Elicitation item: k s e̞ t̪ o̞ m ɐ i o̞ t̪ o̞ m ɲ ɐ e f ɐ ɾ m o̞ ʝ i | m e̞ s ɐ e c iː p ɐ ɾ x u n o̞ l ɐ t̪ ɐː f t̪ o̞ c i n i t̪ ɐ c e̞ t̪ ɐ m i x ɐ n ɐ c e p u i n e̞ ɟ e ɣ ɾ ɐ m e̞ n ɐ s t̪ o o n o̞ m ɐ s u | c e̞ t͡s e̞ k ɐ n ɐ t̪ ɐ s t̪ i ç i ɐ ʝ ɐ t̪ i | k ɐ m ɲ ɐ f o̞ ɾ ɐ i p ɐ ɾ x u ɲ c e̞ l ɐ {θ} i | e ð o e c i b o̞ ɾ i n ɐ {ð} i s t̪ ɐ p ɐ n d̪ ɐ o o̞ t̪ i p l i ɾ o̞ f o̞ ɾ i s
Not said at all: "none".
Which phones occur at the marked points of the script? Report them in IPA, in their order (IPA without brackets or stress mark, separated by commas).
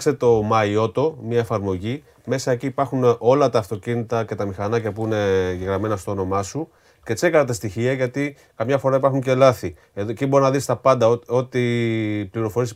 θ, ð